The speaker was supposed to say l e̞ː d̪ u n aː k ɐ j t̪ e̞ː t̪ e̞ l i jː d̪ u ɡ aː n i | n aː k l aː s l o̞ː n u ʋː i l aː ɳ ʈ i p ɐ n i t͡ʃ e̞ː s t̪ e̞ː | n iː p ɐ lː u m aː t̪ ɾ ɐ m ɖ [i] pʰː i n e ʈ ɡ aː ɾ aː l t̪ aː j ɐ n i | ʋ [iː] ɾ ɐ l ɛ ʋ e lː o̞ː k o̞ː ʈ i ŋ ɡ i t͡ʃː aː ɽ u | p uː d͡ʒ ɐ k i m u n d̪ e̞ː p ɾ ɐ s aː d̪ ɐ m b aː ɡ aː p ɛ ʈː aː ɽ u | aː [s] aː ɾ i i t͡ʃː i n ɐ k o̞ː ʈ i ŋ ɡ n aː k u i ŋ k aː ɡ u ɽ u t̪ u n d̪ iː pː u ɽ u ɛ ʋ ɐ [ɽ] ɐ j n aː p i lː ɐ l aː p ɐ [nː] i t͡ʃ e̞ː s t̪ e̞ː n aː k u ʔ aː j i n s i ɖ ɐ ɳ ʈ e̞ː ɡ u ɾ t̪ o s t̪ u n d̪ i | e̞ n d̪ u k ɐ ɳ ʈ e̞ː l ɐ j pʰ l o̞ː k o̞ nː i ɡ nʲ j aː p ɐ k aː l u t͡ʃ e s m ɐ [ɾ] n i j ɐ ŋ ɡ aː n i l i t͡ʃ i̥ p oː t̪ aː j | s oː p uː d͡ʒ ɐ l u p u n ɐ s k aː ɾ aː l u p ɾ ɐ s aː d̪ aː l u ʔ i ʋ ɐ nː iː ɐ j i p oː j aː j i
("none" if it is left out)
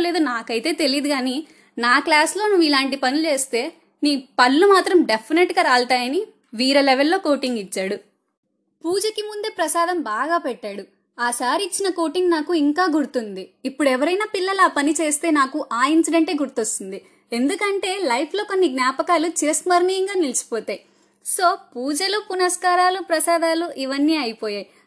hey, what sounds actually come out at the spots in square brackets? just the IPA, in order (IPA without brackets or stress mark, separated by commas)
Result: e, iː, s, ɾ, n, ɾ